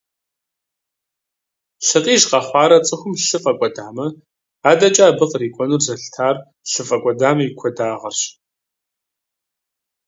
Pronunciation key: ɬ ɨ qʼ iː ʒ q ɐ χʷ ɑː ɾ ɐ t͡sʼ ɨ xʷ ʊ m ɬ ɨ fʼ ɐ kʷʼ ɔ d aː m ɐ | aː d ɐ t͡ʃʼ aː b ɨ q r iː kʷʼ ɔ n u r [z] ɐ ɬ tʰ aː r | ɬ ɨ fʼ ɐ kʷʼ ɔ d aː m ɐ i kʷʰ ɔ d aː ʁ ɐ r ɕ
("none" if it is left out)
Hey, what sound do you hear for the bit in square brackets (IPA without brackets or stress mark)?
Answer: z